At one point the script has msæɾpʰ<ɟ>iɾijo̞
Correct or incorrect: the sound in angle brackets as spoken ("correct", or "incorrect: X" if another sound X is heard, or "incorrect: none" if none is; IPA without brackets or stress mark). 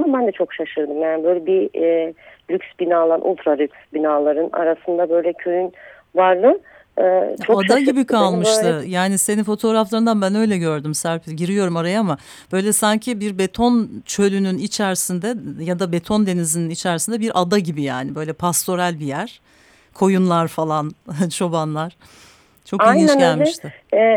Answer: correct